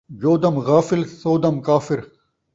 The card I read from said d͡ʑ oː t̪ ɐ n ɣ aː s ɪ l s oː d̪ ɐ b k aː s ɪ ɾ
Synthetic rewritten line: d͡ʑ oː d̪ ɐ m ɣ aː f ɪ l s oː d̪ ɐ m k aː f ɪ ɾ